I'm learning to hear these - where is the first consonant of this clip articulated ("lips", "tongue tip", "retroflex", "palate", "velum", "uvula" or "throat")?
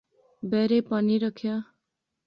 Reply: lips